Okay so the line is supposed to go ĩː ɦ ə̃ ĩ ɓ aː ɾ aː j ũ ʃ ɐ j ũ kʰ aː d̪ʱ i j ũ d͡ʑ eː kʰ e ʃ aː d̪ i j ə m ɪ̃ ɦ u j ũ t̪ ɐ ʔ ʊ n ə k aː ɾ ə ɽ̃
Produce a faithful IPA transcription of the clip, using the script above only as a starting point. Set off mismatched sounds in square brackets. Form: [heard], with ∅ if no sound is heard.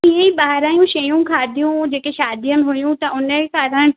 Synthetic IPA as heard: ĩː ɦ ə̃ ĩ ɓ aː ɾ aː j ũ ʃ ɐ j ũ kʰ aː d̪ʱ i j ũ d͡ʑ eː [k] e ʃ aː d̪ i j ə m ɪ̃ ɦ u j ũ t̪ ɐ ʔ ʊ n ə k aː ɾ ə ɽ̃

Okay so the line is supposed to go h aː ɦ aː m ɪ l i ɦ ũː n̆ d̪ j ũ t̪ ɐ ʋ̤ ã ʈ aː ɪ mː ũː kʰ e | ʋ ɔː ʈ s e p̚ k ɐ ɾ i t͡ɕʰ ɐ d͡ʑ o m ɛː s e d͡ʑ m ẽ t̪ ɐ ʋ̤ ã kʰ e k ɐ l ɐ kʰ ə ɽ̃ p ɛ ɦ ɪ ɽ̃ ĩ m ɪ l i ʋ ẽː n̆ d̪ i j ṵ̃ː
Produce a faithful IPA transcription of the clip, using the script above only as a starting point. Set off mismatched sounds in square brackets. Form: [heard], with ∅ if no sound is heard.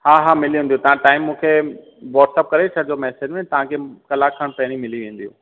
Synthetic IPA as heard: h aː ɦ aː m ɪ l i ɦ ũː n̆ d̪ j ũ t̪ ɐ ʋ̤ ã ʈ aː ɪ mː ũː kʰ e | ʋ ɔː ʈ s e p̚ k ɐ ɾ [e] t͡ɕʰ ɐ d͡ʑ o m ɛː s e d͡ʑ m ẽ t̪ ɐ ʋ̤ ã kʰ e k ɐ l [a] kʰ ə ɽ̃ p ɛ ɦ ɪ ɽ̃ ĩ m ɪ l i ʋ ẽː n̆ d̪ i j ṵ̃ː

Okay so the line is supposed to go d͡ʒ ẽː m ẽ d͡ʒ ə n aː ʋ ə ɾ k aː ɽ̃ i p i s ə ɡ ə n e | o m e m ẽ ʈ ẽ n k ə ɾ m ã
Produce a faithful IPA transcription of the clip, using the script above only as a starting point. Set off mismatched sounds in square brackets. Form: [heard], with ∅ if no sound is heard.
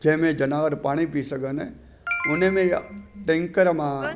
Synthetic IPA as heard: d͡ʒ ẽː m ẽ d͡ʒ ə n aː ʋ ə ɾ [p] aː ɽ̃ i p i s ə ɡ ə n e | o [n] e m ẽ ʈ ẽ [ŋ] k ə ɾ m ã

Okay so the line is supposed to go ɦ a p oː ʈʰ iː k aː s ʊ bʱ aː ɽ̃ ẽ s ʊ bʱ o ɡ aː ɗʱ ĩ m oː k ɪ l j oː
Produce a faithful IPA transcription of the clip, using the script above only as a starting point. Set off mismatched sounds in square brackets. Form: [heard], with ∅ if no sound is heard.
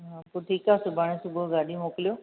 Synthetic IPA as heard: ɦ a p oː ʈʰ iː k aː s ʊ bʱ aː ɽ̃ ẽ s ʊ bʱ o ɡ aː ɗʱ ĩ m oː k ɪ l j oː

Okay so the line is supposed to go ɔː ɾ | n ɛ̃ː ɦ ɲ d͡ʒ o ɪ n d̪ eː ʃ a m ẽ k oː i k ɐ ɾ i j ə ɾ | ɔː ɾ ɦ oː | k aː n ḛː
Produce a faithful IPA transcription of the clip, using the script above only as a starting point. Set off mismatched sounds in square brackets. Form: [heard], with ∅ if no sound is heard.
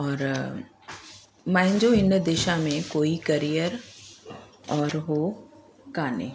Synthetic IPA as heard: ɔː ɾ | [m] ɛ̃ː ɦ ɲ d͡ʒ o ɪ n d̪ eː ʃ a m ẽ k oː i k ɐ ɾ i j ə ɾ | ɔː ɾ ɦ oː | k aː n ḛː

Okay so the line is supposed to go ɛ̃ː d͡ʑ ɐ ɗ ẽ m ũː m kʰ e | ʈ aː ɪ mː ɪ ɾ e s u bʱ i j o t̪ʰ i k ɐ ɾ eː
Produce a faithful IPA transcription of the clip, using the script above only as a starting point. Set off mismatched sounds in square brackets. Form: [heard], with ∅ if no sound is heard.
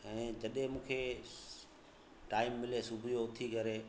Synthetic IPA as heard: ɛ̃ː d͡ʑ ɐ ɗ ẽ m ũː [∅] kʰ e | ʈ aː ɪ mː ɪ [l] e s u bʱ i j o t̪ʰ i k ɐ ɾ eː

